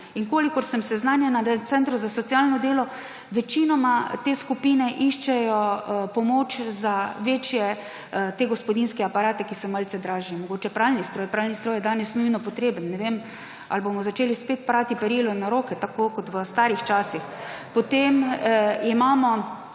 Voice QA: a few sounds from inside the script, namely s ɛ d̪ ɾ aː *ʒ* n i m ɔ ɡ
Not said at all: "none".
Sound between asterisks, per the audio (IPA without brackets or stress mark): ʒ